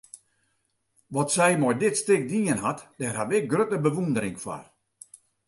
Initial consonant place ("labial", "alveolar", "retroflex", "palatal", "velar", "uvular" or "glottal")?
labial